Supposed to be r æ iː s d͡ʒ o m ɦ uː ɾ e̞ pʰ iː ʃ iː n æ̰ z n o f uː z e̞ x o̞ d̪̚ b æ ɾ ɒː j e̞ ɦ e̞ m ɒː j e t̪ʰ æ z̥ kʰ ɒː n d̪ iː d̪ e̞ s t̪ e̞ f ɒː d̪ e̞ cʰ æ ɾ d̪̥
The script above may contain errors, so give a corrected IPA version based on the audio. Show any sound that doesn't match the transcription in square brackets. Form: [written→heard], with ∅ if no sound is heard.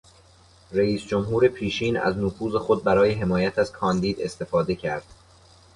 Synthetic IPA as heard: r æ iː s d͡ʒ o m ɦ uː ɾ e̞ pʰ iː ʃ iː n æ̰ z n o f uː z e̞ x o̞ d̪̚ b æ ɾ ɒː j e̞ ɦ e̞ m ɒː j [e→æ] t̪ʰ æ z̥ kʰ ɒː n d̪ iː d̪ e̞ s t̪ e̞ f ɒː d̪ e̞ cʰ æ ɾ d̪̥